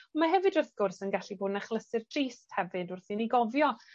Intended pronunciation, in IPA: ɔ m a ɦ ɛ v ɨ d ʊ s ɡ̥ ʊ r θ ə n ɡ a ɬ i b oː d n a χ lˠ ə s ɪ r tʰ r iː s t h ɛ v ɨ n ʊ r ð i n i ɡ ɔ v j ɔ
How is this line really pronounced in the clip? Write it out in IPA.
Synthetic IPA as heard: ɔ m a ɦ ɛ v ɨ d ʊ θ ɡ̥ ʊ r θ ə n ɡ a ɬ i b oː d n a χ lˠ ə s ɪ r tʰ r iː s t h ɛ v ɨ d ʊ r θ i n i ɡ ɔ v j ɔ